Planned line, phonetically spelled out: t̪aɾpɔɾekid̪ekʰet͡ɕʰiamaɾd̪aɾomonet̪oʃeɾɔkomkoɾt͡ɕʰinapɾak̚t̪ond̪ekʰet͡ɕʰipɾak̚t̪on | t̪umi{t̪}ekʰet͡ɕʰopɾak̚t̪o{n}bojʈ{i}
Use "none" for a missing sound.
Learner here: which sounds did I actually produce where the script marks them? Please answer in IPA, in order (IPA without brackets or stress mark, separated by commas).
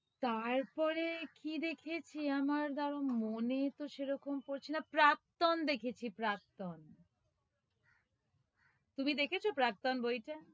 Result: d̪, n, a